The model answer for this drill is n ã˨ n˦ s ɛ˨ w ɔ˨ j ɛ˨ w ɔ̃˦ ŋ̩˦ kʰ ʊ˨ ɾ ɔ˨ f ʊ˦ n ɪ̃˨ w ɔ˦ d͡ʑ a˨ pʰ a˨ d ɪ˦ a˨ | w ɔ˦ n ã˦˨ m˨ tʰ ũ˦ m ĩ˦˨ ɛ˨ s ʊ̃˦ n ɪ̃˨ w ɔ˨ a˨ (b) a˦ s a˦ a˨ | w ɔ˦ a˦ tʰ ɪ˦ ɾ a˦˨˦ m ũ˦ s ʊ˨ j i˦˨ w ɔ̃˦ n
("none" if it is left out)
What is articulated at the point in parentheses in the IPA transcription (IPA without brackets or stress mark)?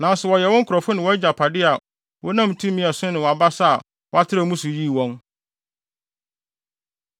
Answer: b